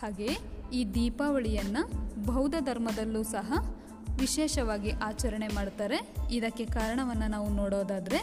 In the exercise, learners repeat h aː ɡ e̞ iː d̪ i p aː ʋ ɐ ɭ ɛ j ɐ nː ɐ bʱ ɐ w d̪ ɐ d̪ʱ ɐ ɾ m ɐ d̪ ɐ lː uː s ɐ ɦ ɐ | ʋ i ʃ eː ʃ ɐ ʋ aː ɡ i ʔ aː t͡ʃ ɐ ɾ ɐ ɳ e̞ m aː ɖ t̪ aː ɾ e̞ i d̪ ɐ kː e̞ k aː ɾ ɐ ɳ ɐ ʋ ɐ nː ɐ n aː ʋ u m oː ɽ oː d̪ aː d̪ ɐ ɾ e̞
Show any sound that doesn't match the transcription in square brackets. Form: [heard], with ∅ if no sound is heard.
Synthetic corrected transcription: h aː ɡ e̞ iː d̪ [iː] p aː ʋ ɐ ɭ [i] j ɐ nː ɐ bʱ ɐ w d̪ ɐ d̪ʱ ɐ ɾ m ɐ d̪ ɐ lː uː s ɐ ɦ ɐ | ʋ i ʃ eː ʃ ɐ ʋ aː ɡ i ʔ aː t͡ʃ ɐ ɾ ɐ ɳ e̞ m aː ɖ t̪ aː ɾ e̞ i d̪ ɐ kː e̞ k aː ɾ ɐ ɳ ɐ ʋ ɐ nː ɐ n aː ʋ u [n] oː ɽ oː d̪ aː d̪ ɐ ɾ e̞